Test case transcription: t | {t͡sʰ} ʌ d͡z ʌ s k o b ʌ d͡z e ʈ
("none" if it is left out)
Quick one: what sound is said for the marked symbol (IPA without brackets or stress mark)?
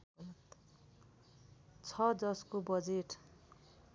t͡sʰ